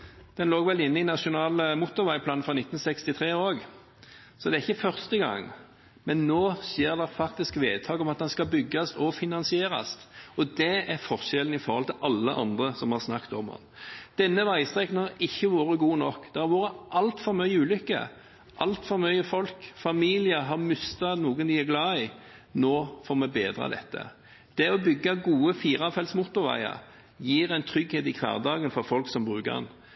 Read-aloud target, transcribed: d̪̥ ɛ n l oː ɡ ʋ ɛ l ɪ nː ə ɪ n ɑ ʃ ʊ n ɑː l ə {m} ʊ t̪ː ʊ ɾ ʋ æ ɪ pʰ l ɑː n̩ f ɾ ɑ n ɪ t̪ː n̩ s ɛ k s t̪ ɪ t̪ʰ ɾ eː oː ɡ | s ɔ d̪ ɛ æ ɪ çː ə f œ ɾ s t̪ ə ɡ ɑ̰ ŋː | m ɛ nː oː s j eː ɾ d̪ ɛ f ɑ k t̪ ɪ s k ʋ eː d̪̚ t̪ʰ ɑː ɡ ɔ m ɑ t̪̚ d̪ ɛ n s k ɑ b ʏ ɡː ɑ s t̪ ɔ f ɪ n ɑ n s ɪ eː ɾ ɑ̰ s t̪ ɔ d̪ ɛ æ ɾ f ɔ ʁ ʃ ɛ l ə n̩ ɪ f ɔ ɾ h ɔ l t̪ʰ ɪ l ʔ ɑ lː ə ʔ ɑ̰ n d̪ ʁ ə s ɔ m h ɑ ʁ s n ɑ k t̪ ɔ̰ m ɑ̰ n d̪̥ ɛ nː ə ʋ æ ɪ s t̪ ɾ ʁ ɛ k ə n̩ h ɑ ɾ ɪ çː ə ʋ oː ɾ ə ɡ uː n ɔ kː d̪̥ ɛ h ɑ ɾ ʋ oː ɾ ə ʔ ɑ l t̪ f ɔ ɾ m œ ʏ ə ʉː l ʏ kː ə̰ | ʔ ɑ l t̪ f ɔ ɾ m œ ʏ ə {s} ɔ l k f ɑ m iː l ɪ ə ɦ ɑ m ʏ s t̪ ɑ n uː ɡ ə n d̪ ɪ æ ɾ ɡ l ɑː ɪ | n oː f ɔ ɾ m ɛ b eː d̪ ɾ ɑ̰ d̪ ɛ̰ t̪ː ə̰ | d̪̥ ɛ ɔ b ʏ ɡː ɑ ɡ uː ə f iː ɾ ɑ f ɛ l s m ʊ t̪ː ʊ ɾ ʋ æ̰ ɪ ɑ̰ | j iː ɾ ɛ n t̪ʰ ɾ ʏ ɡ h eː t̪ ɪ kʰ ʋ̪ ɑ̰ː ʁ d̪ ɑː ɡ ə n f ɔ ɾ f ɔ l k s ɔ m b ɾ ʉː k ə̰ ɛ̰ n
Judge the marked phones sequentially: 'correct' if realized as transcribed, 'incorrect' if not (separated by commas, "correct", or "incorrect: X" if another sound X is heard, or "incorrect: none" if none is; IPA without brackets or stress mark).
correct, incorrect: f